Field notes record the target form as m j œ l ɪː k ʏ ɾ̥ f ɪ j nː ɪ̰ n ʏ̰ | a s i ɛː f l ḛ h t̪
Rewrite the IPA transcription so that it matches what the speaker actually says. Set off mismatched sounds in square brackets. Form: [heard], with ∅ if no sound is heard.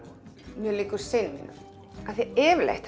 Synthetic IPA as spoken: m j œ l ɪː k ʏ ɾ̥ [s] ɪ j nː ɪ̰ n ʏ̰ | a [θ] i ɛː [v] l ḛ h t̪